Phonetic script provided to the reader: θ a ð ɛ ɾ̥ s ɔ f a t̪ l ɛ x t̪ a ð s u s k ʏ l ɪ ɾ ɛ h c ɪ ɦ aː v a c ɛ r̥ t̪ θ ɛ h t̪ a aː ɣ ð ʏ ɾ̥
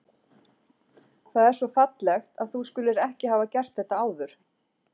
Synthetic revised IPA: θ a ð ɛ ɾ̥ s ɔ f a t̪ l ɛ x t̪ a ð θ u s k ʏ l ɪ ɾ ɛ h c ɪ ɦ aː v a c ɛ r̥ t̪ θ ɛ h t̪ a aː w ð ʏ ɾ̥